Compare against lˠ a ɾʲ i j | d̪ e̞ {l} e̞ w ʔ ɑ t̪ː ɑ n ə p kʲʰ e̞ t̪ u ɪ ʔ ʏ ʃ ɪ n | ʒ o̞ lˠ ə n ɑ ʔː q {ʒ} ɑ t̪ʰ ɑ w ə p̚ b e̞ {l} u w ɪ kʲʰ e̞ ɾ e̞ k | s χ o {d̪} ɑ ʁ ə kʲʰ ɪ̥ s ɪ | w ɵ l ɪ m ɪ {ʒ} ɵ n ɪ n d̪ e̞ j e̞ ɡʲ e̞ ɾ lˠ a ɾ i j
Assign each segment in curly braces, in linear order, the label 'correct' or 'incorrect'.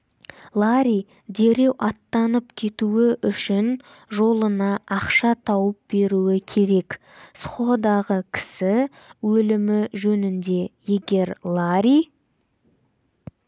incorrect: ɾ, incorrect: ʃ, incorrect: ɾ, correct, correct

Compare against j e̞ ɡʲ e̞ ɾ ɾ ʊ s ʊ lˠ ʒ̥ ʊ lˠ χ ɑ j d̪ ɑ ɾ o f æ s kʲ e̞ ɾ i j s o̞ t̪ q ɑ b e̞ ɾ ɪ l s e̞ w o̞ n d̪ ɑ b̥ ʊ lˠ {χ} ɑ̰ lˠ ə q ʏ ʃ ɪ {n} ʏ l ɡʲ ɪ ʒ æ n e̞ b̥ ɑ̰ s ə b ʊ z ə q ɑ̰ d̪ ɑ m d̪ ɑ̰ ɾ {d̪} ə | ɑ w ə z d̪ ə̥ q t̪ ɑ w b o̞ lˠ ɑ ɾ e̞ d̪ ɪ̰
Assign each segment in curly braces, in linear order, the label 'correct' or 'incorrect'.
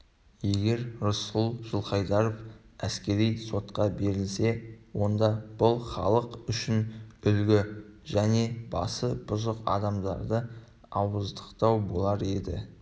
correct, correct, correct

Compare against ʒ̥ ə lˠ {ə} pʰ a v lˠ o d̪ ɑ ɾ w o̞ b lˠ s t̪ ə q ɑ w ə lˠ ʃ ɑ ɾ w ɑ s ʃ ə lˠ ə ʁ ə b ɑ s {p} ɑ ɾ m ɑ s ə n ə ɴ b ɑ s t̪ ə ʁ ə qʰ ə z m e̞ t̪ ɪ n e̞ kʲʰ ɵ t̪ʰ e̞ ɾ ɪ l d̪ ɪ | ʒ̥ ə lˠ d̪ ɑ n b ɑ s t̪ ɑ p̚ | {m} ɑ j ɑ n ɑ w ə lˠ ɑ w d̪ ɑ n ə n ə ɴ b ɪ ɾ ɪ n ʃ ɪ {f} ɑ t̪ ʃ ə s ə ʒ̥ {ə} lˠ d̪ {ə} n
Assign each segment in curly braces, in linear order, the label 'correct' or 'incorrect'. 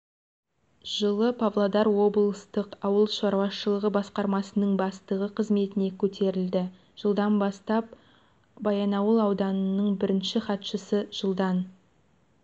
correct, incorrect: q, incorrect: b, incorrect: χ, correct, incorrect: ɑ

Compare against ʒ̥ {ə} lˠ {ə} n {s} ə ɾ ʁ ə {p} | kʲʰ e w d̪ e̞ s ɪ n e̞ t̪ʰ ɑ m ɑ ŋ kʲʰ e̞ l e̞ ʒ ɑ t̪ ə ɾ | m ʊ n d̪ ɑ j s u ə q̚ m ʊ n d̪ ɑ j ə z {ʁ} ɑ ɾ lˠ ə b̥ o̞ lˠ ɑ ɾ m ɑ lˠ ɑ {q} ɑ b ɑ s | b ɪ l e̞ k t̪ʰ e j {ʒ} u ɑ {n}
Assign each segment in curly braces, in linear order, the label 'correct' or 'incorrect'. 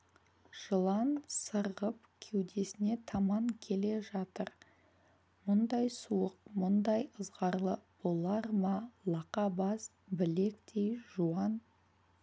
correct, incorrect: ɑ, correct, correct, correct, correct, correct, correct

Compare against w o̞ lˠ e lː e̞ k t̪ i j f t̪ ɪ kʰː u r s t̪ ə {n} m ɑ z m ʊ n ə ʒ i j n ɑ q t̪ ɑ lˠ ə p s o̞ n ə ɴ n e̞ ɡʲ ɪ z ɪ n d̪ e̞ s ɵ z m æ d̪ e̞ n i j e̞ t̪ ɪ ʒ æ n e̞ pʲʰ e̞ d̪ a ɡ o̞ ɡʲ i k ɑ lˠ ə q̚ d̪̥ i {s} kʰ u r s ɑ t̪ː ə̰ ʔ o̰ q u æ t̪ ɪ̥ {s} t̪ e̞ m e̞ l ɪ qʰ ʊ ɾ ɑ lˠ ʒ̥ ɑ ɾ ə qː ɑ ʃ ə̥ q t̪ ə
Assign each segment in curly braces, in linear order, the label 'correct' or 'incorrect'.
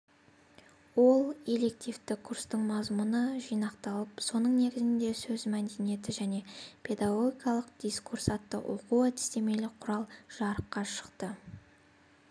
incorrect: ɴ, correct, correct

